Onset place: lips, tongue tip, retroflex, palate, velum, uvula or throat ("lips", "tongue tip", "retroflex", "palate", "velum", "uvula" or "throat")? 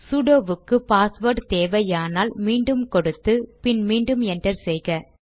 tongue tip